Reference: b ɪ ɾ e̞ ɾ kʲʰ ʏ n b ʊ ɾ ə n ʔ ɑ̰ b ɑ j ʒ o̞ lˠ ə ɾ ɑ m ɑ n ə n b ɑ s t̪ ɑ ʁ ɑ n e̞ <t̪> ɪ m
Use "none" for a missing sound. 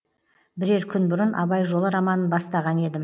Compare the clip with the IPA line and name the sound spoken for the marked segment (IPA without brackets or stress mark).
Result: d̪